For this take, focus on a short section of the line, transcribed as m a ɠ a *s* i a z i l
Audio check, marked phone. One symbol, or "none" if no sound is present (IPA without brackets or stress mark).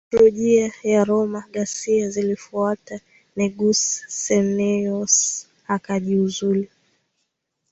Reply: s